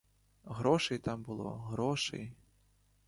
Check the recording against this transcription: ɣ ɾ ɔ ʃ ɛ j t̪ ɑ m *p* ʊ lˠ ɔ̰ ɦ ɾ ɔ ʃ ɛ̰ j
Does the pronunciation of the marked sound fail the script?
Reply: yes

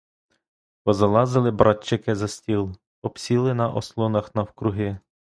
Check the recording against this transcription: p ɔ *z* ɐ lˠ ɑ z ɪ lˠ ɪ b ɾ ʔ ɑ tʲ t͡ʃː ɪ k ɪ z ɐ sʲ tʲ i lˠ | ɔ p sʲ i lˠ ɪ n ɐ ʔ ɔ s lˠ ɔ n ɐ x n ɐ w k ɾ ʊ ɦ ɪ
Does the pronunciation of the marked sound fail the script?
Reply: no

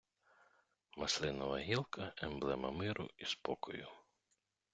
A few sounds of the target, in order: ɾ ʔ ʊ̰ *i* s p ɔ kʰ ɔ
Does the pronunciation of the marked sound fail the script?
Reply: no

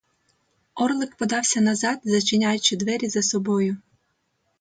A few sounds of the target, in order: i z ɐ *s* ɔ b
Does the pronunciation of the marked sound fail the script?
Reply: no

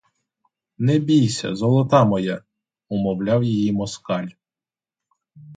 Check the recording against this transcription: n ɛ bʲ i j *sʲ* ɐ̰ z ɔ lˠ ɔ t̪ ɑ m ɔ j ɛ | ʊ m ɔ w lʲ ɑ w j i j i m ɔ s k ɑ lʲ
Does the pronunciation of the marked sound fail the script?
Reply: no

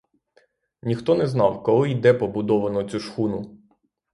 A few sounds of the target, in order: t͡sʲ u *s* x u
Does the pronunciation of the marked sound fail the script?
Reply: yes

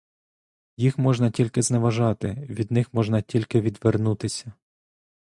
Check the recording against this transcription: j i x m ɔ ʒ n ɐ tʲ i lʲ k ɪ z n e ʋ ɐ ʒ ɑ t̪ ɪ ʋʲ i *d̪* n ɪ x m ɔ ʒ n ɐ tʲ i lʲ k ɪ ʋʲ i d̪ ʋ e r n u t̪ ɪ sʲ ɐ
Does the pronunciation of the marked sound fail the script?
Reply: no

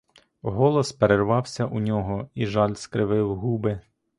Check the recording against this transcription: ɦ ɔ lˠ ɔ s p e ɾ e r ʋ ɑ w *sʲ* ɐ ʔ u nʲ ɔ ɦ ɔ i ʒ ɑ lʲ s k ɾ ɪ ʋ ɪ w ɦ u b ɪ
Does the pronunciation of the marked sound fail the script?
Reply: no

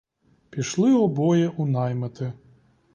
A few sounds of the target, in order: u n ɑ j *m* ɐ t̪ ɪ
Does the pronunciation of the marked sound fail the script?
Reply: no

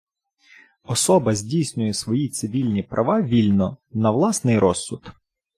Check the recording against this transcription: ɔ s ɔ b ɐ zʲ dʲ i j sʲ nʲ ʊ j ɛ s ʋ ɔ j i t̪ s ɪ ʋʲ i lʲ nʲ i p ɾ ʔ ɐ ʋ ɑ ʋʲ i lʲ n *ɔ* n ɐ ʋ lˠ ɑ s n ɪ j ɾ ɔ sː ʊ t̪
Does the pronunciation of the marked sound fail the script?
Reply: no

